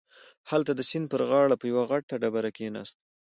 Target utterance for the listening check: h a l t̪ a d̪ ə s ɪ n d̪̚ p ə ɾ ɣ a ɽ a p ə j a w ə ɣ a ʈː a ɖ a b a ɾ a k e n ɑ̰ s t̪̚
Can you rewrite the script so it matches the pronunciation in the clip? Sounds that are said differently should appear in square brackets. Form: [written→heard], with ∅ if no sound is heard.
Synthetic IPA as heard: h a l t̪ a d̪ ə s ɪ n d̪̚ p ə ɾ ɣ [a→ɑ] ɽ a p ə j a w [ə→a] ɣ a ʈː a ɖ a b a ɾ a k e n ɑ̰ s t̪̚

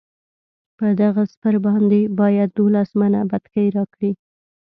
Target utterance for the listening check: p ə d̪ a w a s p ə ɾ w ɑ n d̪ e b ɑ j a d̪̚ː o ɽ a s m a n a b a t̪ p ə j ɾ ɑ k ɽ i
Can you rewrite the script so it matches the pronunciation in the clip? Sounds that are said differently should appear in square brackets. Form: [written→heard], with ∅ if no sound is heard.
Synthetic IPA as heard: p ə d̪ a [w→ɣ] a s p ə ɾ [w→b] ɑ n d̪ e b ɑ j a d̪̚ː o [ɽ→l] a s m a n a b a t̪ [p→k] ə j ɾ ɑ k ɽ i

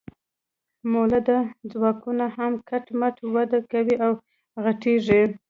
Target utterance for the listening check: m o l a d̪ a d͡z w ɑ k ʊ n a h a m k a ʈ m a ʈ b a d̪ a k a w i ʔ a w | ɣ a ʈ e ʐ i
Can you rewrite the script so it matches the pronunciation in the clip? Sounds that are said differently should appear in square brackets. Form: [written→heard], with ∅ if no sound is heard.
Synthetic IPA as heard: m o l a d̪ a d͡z w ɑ k [ʊ→u] n a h a m k a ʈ m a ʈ [b→w] a d̪ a k a w i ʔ a w | ɣ a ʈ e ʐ i

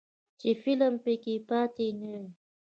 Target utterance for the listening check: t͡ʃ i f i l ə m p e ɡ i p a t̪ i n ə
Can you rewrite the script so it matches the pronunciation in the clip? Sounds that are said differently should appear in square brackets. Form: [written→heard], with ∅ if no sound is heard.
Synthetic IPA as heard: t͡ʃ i f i l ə m p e [ɡ→k] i p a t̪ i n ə

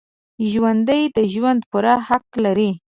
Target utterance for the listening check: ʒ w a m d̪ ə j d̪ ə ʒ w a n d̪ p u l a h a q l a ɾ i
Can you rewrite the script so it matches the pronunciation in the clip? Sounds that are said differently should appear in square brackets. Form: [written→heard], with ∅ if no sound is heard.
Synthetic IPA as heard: ʒ w a [m→n] d̪ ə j d̪ ə ʒ w a n d̪ p u [l→ɾ] a h a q l a ɾ i

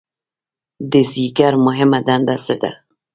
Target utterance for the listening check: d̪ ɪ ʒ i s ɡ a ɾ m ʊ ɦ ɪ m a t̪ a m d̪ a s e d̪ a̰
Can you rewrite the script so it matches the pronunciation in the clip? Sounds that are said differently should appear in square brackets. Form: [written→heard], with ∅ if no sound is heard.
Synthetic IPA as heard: d̪ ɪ [ʒ→z] i [s→∅] ɡ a ɾ m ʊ ɦ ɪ m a [t̪→d̪] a [m→n] d̪ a s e d̪ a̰

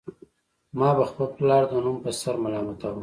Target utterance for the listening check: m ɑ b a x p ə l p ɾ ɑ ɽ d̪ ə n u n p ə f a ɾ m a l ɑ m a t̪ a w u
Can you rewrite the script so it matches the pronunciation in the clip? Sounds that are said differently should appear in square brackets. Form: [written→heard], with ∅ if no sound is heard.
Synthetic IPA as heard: m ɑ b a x p ə l p [ɾ→l] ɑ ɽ d̪ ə n u [n→m] p ə [f→s] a ɾ m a l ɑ m a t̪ a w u

